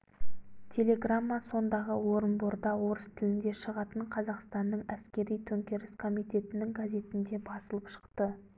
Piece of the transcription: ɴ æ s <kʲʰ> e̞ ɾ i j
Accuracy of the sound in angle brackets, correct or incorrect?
incorrect: kʲ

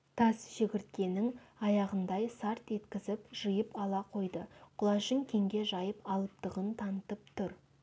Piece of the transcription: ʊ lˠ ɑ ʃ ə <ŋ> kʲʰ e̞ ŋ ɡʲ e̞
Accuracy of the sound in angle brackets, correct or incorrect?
correct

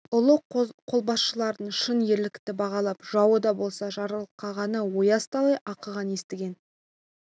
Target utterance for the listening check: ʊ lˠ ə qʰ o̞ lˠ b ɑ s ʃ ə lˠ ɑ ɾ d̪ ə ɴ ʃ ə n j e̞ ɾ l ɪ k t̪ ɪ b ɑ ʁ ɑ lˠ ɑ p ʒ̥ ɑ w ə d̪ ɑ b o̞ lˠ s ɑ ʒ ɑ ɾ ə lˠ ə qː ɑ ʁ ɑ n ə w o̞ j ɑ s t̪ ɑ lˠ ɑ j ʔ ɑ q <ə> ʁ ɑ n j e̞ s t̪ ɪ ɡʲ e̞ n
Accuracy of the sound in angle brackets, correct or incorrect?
correct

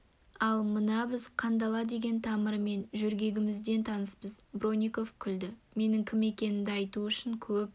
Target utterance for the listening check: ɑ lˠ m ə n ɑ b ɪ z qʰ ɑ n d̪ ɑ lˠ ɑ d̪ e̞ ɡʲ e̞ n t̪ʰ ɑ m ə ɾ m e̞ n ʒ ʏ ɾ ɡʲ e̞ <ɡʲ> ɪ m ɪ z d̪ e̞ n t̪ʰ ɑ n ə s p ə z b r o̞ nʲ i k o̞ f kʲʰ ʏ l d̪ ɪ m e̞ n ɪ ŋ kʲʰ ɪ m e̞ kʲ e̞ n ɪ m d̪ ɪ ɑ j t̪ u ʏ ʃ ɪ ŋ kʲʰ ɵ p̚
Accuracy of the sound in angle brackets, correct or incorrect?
correct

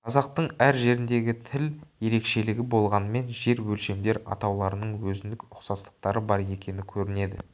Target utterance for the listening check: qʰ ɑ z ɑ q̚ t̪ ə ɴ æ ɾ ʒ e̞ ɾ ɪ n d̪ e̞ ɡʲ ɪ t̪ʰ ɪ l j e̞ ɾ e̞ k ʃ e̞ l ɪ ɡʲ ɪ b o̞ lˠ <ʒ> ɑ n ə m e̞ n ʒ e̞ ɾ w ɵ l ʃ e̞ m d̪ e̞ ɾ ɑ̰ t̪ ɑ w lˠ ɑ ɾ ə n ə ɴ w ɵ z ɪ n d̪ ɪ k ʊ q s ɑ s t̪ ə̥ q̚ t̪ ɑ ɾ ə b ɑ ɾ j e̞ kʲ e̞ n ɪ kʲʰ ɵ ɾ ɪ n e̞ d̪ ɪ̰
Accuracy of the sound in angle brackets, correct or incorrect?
incorrect: ʁ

